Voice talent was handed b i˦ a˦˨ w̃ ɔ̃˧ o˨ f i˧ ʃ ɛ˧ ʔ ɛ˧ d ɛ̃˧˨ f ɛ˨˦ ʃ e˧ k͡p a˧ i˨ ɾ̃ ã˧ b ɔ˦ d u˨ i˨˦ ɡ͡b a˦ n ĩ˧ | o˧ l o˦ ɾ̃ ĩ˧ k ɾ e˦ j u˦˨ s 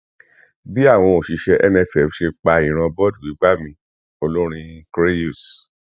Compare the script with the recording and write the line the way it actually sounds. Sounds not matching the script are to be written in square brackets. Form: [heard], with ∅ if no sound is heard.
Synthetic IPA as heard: b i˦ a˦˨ w̃ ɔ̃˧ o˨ [ʃ] i˧ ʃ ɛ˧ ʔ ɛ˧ [n] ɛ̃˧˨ f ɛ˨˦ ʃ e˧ k͡p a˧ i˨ ɾ̃ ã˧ b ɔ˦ d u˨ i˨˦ ɡ͡b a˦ [m] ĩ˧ | o˧ l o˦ ɾ̃ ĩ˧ k ɾ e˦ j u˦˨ s